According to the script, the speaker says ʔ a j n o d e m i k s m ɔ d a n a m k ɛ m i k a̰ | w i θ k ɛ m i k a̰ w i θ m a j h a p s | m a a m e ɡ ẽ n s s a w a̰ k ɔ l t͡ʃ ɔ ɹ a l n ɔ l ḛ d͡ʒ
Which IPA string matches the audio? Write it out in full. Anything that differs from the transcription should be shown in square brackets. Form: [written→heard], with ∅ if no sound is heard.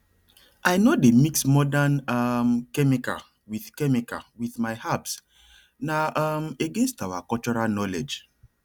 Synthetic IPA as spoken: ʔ a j n o d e m i k s m ɔ d a n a m k ɛ m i k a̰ | w i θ k ɛ m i k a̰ w i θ m a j h a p s | [m→n] a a m e ɡ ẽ n s [s→t] a w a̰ k ɔ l t͡ʃ ɔ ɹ a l n ɔ l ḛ d͡ʒ